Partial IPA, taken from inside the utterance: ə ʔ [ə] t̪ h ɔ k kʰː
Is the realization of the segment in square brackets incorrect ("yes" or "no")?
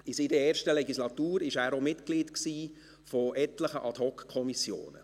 yes